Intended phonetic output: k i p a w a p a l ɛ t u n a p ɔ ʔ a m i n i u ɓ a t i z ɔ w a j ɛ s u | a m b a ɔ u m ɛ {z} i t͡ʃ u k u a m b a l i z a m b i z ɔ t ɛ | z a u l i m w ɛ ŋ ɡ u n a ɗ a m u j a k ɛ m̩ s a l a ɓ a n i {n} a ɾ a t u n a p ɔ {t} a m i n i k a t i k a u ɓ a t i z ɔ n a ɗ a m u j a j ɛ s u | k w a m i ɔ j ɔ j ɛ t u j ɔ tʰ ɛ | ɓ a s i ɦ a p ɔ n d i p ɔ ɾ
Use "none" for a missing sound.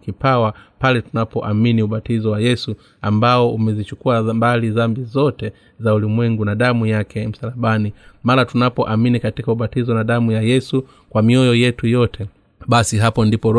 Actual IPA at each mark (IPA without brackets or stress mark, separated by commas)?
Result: z, m, ʔ